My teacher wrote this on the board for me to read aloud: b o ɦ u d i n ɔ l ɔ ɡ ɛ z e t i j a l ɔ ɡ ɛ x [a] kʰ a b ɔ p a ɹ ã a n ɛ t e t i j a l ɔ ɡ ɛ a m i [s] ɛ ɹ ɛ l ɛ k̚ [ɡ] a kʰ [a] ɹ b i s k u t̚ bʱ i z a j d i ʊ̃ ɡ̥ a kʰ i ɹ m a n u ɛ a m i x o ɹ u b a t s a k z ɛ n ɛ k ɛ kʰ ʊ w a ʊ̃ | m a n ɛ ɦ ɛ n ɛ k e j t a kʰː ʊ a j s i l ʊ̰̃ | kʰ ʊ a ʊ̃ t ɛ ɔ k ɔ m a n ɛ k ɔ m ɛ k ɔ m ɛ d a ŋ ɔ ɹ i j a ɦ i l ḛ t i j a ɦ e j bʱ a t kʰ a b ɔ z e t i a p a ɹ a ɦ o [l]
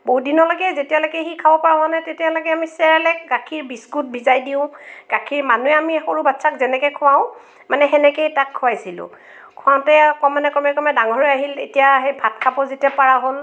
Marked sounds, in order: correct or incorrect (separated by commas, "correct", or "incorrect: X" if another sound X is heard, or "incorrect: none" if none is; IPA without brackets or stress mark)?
incorrect: i, correct, correct, incorrect: i, correct